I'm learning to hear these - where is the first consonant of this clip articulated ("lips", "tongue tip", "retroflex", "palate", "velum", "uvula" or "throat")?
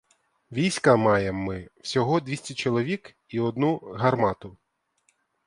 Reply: lips